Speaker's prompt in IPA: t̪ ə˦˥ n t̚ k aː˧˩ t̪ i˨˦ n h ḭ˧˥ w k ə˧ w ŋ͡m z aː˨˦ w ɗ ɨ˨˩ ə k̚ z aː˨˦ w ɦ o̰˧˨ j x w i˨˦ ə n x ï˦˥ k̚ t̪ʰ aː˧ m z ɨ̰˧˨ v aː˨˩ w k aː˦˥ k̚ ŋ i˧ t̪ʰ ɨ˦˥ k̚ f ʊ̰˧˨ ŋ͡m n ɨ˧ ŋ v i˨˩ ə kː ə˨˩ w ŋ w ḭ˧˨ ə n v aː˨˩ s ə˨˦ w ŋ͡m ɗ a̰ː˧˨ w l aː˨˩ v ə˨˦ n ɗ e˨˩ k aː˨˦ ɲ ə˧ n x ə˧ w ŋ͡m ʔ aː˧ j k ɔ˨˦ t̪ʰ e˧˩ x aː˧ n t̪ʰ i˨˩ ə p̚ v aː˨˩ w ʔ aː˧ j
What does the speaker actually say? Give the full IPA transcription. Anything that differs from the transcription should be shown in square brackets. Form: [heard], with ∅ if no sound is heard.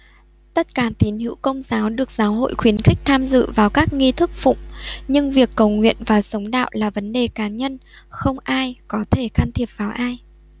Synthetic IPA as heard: t̪ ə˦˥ [∅] t̚ k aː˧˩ t̪ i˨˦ n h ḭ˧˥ w k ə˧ w ŋ͡m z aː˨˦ w ɗ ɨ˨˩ ə k̚ z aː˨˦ w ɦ o̰˧˨ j x w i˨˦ ə n x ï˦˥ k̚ t̪ʰ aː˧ m z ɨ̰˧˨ v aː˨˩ w k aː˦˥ k̚ ŋ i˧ t̪ʰ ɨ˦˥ k̚ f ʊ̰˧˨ ŋ͡m [ɲ] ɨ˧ ŋ v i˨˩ ə kː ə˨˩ w ŋ w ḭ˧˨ ə n v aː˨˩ s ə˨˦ w ŋ͡m ɗ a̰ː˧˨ w l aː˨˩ v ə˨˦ n ɗ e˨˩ k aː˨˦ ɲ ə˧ n x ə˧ w ŋ͡m ʔ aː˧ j k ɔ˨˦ t̪ʰ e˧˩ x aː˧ n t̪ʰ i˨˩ ə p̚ v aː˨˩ w ʔ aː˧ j